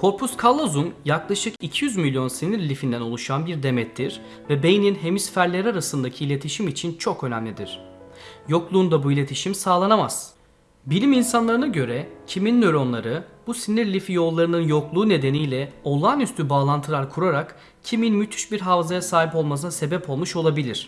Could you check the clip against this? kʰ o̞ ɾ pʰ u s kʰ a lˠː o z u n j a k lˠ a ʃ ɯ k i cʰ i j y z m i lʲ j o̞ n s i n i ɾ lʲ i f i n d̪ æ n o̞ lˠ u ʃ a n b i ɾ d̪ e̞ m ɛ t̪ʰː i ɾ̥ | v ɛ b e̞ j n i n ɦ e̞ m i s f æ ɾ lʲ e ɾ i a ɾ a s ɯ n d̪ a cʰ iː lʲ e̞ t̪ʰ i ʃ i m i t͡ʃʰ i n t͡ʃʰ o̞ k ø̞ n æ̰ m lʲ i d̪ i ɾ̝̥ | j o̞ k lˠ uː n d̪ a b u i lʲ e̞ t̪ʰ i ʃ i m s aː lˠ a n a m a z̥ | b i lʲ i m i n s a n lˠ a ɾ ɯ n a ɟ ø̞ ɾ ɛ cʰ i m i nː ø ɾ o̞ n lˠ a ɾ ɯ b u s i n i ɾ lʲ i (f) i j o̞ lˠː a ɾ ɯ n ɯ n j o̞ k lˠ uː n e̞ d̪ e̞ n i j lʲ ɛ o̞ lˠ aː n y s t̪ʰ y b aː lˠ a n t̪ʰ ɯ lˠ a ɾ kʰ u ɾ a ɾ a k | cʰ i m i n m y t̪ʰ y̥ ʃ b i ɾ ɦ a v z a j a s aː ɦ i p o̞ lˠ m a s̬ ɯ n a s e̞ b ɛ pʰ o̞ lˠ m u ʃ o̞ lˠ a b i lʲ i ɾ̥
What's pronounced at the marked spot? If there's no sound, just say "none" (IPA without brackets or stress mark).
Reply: f